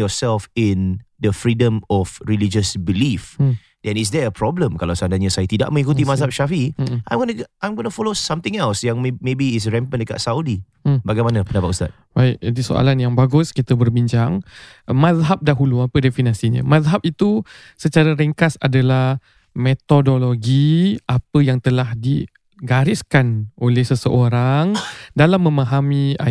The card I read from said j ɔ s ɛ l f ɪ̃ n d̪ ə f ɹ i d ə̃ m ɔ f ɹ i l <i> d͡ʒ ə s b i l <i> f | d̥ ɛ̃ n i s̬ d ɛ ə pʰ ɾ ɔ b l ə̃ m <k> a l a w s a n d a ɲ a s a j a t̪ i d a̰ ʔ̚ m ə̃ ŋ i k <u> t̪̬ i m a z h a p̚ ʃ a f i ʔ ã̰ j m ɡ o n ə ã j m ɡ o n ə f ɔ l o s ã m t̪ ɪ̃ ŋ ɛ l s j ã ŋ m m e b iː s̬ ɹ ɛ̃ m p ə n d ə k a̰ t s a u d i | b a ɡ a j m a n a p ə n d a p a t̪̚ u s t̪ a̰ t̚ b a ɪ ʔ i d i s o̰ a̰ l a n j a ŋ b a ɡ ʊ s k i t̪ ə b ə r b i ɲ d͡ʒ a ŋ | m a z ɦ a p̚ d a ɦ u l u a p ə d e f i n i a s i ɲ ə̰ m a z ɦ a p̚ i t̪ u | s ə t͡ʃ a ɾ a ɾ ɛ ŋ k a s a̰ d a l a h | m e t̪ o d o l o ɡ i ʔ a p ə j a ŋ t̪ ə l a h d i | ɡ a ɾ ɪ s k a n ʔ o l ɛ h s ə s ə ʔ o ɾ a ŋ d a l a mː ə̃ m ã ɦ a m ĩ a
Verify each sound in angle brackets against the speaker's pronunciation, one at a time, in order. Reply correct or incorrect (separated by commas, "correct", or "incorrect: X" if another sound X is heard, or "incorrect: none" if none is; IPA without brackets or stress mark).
correct, correct, correct, correct